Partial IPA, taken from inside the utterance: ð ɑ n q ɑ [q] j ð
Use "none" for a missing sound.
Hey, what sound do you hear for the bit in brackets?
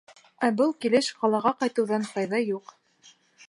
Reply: none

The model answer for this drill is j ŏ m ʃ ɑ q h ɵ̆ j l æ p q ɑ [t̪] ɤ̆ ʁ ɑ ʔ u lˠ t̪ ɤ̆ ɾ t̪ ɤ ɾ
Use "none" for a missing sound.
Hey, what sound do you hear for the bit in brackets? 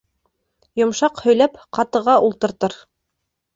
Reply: t̪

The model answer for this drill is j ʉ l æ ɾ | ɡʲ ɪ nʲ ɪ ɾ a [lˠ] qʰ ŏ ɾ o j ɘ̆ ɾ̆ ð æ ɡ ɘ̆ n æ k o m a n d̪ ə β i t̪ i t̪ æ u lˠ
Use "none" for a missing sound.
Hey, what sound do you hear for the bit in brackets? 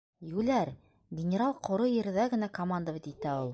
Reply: lˠ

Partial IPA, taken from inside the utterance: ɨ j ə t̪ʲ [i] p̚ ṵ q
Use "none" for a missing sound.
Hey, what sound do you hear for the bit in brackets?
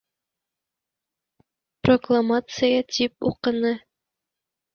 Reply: i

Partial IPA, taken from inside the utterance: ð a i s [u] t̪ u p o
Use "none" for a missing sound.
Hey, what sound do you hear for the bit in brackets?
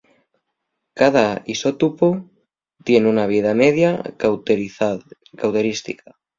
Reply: o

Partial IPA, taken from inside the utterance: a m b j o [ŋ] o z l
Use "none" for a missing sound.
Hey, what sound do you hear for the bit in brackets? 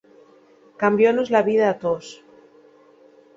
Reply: n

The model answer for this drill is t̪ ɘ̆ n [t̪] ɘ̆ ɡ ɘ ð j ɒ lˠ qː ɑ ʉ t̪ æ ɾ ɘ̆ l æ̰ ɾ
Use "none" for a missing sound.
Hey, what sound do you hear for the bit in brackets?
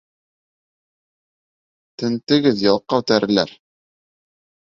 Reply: t̪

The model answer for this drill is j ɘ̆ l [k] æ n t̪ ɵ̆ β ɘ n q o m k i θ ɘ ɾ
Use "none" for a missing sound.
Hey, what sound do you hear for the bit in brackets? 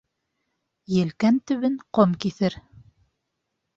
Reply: k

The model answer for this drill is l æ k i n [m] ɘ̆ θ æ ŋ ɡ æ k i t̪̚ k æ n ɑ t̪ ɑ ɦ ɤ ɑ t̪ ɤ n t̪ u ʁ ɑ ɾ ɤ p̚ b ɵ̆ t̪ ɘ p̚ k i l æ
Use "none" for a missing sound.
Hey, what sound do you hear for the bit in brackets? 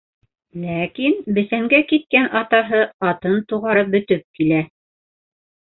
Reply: b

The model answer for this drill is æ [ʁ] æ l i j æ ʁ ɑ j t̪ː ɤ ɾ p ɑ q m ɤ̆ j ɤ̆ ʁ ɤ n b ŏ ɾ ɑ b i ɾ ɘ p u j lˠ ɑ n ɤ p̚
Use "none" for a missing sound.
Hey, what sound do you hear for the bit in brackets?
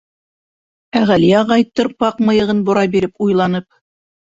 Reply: ʁ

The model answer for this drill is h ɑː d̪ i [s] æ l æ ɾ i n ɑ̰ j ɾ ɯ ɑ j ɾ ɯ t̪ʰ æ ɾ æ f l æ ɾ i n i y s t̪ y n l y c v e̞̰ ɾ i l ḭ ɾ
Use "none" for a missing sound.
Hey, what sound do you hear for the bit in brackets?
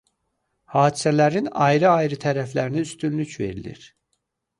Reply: s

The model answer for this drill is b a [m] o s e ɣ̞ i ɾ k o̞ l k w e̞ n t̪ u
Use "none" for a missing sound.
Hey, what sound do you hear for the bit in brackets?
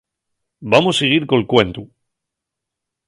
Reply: m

